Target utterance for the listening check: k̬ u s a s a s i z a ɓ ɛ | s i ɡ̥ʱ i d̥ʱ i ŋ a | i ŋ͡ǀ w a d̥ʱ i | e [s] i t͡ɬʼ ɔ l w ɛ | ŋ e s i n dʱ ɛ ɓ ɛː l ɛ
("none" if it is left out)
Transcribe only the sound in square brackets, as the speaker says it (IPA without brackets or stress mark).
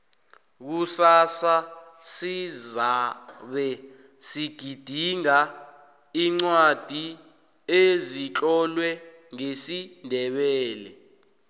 z